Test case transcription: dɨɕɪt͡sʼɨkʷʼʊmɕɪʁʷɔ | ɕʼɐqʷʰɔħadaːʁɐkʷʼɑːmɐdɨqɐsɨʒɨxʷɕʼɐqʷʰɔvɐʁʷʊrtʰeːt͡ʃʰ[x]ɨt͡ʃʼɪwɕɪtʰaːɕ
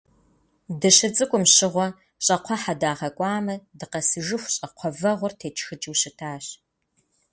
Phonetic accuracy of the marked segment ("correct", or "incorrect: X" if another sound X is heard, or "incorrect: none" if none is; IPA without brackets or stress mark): correct